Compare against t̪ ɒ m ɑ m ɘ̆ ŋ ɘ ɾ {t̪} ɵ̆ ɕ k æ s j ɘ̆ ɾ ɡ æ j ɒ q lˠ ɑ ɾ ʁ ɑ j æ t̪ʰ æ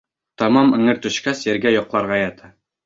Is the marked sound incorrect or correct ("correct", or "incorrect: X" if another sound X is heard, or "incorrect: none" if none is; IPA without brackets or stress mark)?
correct